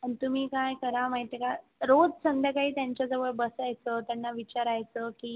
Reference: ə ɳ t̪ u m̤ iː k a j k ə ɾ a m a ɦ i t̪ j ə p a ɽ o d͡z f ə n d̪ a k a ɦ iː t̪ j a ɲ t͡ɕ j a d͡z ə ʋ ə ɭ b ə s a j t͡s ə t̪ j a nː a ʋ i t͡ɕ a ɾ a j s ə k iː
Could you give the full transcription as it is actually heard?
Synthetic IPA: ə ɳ t̪ u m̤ iː k a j k ə ɾ a m a ɦ i t̪ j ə k a ɾ o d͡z s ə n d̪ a k a ɦ iː t̪ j a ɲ t͡ɕ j a d͡z ə ʋ ə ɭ b ə s a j t͡s ə t̪ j a nː a ʋ i t͡ɕ a ɾ a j t͡s ə k iː